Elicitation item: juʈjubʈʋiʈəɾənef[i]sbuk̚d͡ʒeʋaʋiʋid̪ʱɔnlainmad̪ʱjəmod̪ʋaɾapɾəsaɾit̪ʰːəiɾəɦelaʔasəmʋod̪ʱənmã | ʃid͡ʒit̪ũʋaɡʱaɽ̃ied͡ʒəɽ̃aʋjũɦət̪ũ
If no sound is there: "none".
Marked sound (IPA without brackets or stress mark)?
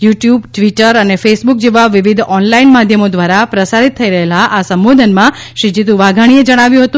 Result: e